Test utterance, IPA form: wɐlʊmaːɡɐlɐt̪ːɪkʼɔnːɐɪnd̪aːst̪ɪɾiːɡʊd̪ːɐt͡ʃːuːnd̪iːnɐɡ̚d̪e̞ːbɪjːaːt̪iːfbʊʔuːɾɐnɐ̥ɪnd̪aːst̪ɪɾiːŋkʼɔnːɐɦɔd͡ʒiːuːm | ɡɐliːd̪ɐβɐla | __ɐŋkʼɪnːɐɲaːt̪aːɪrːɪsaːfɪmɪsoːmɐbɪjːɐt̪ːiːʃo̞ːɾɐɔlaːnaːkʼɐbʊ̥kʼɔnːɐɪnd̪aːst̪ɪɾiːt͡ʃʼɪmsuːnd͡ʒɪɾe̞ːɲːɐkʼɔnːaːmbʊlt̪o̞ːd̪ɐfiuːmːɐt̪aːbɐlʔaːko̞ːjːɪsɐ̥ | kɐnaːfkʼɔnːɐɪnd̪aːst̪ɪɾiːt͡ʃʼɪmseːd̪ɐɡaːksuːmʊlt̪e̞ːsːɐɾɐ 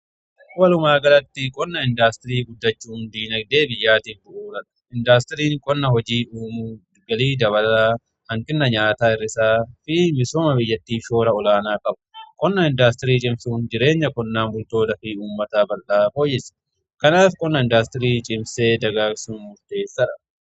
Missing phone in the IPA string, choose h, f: h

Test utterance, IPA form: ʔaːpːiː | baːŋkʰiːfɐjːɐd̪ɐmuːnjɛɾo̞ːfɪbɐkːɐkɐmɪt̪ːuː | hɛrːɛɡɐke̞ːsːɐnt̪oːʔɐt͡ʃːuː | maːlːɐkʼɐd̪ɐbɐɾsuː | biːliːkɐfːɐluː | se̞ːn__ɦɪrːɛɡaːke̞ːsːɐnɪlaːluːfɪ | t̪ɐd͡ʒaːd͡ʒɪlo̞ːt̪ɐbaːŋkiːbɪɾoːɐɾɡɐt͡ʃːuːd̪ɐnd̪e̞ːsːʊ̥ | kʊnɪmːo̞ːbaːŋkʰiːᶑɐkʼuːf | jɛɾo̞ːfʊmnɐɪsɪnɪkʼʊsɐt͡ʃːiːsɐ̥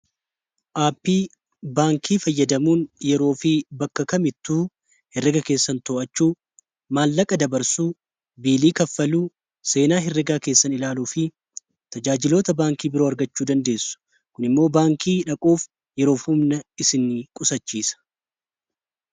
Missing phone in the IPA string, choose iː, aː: aː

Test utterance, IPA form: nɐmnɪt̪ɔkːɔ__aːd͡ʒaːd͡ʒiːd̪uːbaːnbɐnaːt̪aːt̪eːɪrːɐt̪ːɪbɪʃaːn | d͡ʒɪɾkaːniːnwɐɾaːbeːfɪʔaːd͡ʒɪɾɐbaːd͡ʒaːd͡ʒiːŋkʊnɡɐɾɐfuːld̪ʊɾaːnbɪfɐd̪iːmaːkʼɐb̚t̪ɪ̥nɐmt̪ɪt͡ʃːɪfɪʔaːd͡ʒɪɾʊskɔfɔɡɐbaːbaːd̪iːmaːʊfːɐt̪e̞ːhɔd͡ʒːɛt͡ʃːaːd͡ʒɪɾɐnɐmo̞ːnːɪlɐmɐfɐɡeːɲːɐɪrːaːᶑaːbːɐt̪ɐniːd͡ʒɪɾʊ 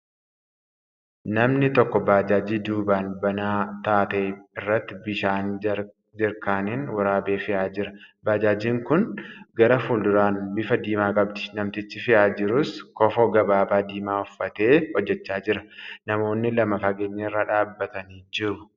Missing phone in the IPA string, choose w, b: b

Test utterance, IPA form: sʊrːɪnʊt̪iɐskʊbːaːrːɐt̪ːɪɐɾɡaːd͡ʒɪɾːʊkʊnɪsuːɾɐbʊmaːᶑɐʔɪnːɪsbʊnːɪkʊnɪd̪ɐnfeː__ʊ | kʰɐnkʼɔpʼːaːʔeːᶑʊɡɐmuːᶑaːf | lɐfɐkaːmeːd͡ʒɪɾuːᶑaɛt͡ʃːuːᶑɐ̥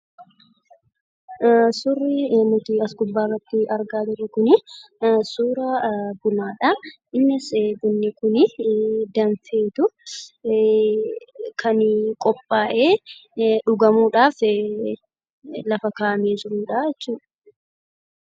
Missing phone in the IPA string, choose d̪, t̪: t̪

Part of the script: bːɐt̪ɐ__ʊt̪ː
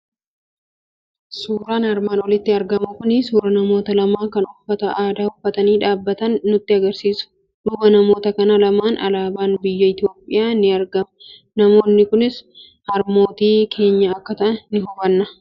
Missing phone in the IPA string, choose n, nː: nː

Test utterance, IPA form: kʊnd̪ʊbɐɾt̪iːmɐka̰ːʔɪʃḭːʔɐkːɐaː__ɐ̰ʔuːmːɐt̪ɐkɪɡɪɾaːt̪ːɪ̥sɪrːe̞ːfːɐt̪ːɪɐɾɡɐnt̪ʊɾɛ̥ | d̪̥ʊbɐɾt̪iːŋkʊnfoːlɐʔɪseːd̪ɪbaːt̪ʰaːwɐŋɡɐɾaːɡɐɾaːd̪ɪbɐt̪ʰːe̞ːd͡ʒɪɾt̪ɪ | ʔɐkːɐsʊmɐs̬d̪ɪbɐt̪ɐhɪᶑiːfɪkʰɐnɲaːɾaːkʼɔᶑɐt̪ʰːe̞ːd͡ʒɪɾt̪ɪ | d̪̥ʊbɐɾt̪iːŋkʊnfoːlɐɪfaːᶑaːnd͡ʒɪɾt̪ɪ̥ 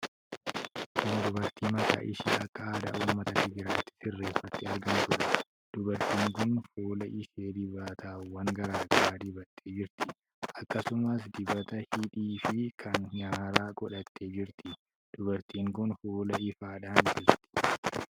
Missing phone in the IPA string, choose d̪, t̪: d̪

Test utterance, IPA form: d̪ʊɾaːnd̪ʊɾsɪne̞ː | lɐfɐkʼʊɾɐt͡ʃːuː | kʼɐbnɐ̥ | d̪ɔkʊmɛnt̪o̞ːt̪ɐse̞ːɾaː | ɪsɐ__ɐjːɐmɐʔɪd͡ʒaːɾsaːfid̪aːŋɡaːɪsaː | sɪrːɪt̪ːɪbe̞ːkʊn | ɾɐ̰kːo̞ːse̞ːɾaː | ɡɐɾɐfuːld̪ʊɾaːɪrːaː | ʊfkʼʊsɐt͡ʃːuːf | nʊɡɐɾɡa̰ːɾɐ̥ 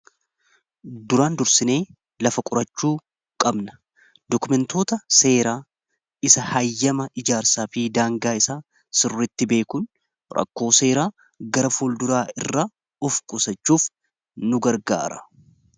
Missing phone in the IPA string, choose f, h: h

